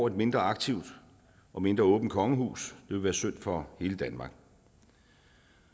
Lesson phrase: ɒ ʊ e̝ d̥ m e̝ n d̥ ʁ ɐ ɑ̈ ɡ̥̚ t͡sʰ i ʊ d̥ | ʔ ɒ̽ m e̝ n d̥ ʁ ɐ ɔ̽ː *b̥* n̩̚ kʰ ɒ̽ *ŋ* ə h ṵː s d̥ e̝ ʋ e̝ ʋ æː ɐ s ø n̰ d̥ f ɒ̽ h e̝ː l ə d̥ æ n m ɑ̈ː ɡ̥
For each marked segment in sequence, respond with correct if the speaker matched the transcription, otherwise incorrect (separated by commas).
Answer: correct, correct